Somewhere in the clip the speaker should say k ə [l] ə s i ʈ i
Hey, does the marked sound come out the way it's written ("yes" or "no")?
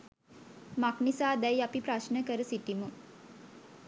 no